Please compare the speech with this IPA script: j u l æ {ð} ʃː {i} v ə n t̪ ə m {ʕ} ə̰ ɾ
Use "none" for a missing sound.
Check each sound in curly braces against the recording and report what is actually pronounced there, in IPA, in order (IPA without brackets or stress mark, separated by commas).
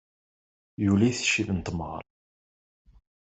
θ, i, ʁ